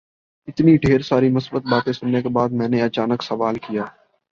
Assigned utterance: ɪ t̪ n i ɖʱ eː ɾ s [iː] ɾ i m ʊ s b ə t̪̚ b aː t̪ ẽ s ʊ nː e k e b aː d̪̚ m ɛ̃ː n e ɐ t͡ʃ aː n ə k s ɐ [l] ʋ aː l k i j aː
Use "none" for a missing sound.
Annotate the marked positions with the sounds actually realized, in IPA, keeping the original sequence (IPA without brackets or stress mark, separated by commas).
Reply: aː, none